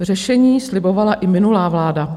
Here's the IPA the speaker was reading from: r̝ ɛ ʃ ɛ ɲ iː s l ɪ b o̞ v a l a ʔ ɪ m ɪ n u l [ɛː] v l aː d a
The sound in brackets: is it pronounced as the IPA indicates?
no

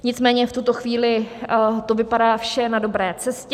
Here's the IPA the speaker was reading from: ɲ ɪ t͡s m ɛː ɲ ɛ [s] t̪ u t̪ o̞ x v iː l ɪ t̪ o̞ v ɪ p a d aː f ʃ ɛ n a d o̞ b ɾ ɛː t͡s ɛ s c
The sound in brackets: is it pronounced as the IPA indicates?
no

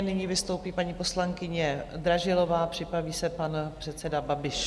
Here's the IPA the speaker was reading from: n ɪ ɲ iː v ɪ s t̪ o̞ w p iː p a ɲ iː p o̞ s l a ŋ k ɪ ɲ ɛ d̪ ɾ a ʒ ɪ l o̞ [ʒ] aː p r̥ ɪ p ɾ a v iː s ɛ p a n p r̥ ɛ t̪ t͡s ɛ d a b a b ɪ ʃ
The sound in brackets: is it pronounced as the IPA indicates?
no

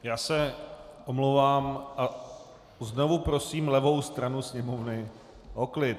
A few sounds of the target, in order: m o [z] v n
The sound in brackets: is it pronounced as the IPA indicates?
no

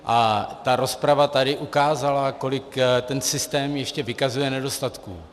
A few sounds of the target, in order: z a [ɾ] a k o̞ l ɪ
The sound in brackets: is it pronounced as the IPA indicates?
no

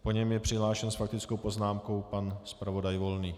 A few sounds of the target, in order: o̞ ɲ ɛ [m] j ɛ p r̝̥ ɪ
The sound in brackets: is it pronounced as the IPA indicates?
yes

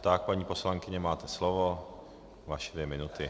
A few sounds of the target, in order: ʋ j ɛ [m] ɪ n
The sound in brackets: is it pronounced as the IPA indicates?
yes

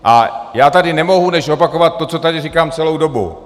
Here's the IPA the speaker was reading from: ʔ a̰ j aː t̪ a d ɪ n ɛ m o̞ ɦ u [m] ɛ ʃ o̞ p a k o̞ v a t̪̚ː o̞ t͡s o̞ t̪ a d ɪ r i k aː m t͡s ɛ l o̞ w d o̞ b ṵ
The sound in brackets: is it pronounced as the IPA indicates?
no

